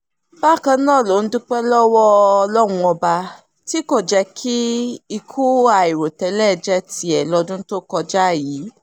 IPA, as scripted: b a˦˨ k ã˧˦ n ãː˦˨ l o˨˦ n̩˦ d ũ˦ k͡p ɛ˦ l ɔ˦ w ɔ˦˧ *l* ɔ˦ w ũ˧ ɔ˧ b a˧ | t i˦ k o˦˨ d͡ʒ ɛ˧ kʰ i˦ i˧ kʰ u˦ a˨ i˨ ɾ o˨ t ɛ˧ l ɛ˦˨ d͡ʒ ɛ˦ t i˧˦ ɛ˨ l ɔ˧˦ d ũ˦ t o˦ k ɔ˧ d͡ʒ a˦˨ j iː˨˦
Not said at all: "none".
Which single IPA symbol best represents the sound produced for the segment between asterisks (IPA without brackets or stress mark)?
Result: l